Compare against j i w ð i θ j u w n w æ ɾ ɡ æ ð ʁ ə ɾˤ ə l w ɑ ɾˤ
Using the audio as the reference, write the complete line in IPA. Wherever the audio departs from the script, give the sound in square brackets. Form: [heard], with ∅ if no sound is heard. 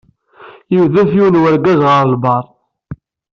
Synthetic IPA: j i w ð [æ] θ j u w n w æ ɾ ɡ æ [z] ʁ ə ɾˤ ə l [b] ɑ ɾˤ

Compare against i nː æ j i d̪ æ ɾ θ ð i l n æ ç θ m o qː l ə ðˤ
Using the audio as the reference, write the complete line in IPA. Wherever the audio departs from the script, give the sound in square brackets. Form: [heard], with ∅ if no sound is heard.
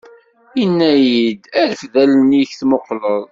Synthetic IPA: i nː æ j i d̪ æ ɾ [f] ð [æ] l n [i] ç θ m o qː l ə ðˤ

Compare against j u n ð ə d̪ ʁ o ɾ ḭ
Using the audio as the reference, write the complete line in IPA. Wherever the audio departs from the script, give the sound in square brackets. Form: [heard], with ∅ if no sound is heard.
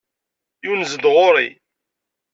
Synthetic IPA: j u n [z] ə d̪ ʁ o ɾ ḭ

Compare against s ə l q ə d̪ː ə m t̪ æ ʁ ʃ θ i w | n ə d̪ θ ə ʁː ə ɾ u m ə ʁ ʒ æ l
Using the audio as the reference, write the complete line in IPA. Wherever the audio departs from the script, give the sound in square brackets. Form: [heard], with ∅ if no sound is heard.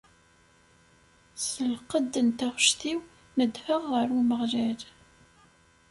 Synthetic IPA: s ə l q ə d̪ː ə [n] t̪ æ ʁ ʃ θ i w | n ə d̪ [h] ə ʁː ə ɾ u m ə ʁ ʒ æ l

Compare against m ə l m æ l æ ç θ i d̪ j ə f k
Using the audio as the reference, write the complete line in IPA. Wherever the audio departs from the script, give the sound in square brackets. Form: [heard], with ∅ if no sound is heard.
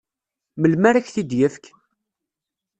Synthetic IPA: m ə l m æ [ɾ] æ ç θ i d̪ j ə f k

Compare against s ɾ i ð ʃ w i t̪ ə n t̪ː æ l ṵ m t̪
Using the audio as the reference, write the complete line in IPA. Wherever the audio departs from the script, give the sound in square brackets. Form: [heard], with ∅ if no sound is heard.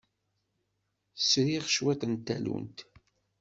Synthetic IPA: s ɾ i [ʁ] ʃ w [æ] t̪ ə n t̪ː æ l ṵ [n] t̪

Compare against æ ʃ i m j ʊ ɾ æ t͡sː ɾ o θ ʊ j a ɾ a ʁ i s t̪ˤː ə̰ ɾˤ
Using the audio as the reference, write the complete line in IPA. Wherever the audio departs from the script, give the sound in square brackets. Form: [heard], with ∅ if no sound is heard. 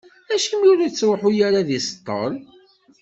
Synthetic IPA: æ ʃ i m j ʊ ɾ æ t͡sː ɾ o [ħ] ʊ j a ɾ a [ð] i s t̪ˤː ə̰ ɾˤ

